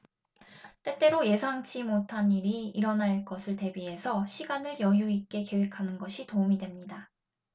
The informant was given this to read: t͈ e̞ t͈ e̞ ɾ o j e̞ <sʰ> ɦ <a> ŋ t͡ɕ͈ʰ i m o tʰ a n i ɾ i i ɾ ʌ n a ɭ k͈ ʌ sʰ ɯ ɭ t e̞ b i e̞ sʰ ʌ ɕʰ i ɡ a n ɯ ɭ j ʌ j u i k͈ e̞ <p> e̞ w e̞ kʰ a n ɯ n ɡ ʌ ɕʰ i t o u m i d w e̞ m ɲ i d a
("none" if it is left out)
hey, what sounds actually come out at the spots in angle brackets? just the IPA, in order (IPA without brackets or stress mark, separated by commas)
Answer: sʰ, a, k